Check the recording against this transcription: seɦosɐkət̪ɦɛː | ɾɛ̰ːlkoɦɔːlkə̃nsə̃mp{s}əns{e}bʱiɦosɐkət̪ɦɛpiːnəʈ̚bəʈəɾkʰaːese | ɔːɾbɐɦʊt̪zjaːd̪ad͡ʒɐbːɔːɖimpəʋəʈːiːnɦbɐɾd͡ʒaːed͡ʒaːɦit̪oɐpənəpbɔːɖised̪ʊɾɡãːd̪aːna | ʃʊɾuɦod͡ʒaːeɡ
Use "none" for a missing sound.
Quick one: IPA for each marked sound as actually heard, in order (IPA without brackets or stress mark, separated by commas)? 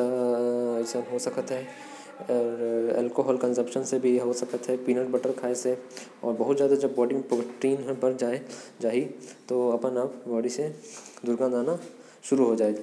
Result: ʃ, e